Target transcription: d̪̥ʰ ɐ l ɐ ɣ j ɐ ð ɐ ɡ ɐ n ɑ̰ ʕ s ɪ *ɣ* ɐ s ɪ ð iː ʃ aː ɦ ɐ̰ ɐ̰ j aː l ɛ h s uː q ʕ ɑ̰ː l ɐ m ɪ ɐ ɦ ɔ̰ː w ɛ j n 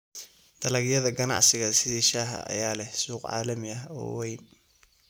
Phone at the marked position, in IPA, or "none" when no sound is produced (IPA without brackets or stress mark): ɣ